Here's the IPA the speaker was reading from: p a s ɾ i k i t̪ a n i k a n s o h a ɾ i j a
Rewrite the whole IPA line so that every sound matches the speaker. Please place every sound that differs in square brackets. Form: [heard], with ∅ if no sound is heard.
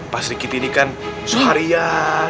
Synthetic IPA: p a s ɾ i k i t̪ [i] n i k a n s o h a ɾ i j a